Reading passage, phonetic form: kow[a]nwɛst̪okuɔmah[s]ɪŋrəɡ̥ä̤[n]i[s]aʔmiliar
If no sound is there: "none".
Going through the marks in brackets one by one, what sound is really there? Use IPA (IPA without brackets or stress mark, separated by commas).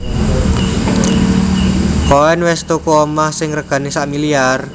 ɛ, s, n, s